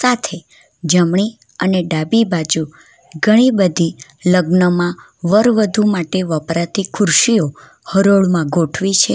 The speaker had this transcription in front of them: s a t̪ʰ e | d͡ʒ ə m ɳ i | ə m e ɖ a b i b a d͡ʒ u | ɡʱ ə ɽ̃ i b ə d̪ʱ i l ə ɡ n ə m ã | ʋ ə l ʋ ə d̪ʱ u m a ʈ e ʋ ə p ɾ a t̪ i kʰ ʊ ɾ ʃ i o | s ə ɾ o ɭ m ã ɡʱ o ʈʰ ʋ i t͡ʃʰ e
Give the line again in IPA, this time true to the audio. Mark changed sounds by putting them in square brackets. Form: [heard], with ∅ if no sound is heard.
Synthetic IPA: s a t̪ʰ e | d͡ʒ ə m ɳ i | ə [n] e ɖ a b i b a d͡ʒ u | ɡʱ ə ɽ̃ i b ə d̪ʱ i l ə ɡ n ə m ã | ʋ ə [ɾ] ʋ ə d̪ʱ u m a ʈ e ʋ ə p ɾ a t̪ i kʰ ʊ ɾ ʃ i o | [h] ə ɾ o ɭ m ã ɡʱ o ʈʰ ʋ i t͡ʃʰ e